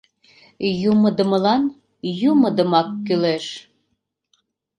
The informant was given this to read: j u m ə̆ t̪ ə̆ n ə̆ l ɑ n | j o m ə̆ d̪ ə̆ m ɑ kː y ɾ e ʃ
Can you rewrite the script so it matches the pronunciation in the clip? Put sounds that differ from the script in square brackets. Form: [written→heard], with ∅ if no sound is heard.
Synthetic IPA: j u m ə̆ [t̪→d̪] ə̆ [n→m] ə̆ l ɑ n | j [o→u] m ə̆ d̪ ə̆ m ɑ kː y [ɾ→l] e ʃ